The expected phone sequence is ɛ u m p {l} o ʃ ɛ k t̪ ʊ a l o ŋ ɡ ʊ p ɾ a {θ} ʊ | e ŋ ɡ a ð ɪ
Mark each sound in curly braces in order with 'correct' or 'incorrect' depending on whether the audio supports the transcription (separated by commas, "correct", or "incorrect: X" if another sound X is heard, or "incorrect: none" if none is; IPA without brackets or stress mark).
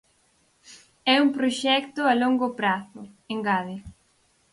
incorrect: ɾ, correct